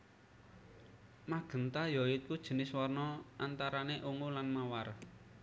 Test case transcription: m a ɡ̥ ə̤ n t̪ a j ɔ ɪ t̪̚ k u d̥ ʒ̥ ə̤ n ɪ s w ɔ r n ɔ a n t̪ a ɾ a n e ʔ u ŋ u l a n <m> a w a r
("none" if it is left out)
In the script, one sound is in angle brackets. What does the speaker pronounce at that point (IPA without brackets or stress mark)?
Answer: m